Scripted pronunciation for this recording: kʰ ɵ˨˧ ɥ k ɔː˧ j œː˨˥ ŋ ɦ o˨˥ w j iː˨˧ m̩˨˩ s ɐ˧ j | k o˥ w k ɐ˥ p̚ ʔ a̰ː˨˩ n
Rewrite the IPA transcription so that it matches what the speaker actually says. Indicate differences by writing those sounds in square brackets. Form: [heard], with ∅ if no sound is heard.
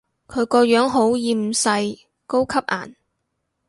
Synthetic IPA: kʰ ɵ˨˧ ɥ k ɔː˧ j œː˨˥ ŋ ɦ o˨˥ w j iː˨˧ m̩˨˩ s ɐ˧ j | k o˥ w [kʰ] ɐ˥ p̚ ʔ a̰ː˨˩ n